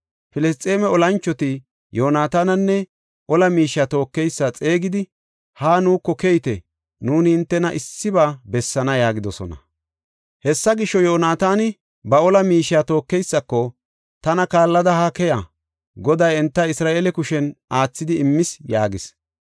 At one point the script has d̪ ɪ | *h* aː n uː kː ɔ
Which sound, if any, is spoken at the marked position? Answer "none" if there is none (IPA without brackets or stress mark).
h